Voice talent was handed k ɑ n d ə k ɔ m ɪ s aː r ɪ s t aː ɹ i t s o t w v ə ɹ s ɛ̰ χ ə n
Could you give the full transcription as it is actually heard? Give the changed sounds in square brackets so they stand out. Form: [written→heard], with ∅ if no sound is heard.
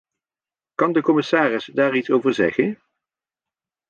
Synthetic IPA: k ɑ n d ə k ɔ m ɪ s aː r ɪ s [t→d] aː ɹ i t s o [t→∅] w v ə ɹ [s→z] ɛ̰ χ ə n